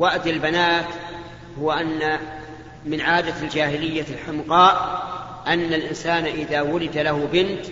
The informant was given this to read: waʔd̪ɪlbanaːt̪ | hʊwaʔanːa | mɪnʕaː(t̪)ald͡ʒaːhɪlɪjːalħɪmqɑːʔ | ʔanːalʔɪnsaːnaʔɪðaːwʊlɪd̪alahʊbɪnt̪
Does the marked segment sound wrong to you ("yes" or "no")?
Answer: yes